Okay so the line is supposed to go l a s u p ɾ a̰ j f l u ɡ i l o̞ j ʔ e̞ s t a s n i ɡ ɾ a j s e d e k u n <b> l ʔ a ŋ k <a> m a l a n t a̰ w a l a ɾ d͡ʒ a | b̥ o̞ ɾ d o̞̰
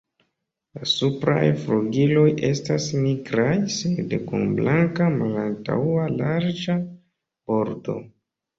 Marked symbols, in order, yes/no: yes, yes

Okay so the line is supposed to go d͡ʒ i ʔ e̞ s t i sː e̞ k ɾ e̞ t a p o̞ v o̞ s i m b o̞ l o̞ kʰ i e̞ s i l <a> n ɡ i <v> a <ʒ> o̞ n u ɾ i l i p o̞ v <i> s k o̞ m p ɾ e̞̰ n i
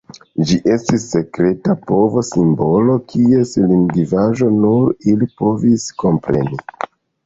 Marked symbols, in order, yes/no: no, yes, yes, yes

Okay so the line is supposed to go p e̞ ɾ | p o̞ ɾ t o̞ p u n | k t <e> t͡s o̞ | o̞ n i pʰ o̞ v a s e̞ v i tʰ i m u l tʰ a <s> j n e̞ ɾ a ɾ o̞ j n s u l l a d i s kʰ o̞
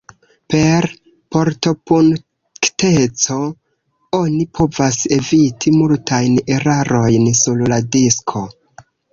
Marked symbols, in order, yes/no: yes, no

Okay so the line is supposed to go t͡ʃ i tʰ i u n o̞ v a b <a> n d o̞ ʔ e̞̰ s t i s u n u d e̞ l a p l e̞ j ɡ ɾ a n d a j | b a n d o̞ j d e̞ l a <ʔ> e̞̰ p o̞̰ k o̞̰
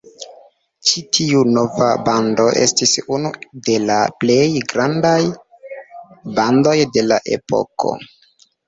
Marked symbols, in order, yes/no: yes, yes

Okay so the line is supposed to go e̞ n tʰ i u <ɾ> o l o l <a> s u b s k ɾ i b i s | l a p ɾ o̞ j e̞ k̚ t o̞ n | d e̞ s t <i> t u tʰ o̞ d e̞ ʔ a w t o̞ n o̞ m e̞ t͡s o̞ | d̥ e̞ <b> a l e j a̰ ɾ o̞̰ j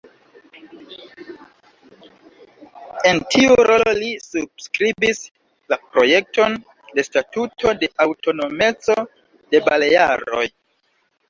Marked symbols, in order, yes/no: yes, no, no, yes

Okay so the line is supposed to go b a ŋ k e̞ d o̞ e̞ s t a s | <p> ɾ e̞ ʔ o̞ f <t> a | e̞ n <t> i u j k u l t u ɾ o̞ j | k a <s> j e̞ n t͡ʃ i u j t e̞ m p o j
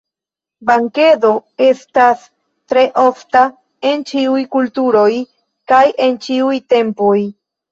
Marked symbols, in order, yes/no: no, yes, no, no

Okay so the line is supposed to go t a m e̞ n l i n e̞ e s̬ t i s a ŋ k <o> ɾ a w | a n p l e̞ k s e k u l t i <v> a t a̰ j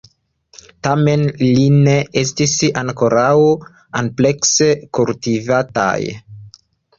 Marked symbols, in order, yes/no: yes, yes

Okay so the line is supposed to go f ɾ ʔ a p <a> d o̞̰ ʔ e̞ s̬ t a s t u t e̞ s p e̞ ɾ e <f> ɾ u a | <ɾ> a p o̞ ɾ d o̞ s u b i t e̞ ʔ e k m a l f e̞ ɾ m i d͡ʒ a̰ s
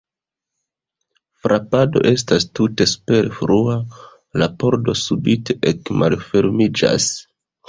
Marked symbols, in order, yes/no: yes, yes, no

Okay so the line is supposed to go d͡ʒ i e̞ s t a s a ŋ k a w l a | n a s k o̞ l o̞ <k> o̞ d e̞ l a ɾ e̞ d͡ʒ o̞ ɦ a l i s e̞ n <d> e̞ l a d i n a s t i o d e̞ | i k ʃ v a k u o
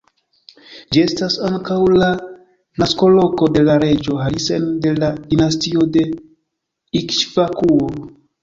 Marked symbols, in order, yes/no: yes, yes

